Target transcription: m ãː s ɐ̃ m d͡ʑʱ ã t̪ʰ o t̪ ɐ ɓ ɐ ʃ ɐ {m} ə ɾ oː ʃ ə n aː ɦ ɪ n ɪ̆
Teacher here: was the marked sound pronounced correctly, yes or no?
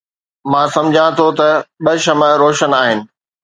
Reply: yes